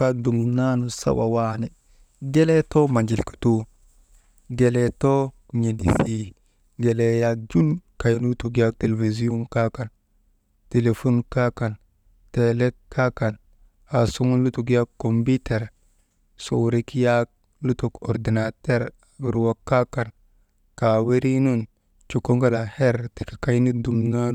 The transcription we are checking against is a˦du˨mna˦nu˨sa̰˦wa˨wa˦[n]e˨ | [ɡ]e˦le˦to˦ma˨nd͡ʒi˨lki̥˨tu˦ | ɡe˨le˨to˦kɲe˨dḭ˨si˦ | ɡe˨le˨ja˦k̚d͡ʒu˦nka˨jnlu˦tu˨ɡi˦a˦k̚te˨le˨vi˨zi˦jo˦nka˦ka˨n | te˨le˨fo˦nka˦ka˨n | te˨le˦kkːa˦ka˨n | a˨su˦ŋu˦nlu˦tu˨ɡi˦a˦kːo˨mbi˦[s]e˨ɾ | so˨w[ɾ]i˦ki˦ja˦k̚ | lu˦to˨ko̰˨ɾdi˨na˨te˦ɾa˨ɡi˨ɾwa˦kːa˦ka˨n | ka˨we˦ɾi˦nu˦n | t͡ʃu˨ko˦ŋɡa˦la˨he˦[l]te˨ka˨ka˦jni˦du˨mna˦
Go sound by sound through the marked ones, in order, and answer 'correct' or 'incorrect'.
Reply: correct, correct, incorrect: t, correct, incorrect: ɾ

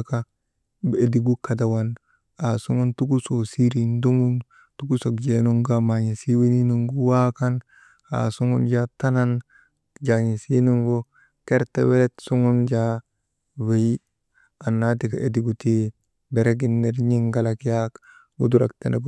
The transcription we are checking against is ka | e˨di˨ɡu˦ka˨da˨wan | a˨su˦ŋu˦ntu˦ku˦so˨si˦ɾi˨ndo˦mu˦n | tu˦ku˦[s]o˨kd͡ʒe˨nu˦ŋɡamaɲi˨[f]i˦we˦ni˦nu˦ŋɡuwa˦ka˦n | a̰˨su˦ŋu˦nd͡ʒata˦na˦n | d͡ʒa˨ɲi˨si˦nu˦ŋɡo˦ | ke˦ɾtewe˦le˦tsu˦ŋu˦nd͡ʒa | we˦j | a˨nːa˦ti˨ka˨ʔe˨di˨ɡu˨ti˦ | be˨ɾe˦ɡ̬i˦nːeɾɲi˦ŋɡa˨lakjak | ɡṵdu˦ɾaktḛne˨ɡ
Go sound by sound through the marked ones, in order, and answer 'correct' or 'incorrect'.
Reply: correct, incorrect: s

